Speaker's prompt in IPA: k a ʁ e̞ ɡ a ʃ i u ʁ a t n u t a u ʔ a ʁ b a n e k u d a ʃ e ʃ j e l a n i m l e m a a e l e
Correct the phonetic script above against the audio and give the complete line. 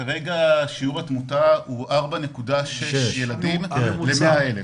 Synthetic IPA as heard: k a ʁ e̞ ɡ a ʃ i u ʁ a t m u t a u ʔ a ʁ b a n e k u d a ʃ e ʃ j e l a d i m l e m e a e l e